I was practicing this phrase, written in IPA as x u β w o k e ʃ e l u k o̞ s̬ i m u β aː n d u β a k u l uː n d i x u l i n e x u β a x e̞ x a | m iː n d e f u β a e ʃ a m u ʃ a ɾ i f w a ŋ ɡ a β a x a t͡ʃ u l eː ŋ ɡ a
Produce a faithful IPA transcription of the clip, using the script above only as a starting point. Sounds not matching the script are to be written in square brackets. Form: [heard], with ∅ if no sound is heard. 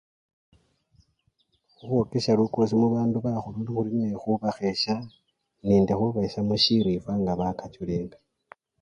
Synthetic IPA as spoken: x u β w o k e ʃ [a] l u k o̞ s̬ i m u β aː n d u β a [x] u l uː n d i x u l i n e x u β a x e̞ [ʃ] a | [n] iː n d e [x] u β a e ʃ a m u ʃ [i] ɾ i f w a ŋ ɡ a β a [k] a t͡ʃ u l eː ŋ ɡ a